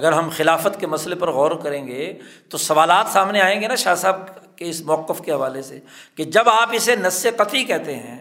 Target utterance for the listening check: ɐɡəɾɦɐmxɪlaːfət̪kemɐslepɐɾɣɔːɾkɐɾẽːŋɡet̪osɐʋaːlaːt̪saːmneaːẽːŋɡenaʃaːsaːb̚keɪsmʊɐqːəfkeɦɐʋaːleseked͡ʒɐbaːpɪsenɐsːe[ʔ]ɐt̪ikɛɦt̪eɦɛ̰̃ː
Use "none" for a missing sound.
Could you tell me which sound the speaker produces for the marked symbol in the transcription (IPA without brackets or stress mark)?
q